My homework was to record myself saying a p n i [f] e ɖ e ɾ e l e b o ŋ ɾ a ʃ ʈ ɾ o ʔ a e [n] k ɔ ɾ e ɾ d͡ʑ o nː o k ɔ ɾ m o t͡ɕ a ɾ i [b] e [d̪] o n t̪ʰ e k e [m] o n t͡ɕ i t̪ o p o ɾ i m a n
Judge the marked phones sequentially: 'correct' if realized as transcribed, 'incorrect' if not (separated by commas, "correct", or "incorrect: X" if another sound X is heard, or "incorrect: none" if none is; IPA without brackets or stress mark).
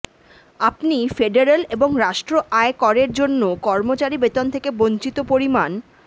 correct, incorrect: none, correct, incorrect: t̪, incorrect: b